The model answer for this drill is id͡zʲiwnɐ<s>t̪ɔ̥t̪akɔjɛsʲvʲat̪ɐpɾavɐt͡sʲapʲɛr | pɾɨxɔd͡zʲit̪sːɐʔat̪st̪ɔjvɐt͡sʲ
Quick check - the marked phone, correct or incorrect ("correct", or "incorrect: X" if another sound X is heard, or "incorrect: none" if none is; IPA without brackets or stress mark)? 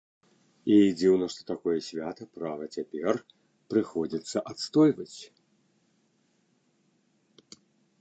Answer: incorrect: ʂ